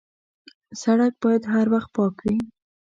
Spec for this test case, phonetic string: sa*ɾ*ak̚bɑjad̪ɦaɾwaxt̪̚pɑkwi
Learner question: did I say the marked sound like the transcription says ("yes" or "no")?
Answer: no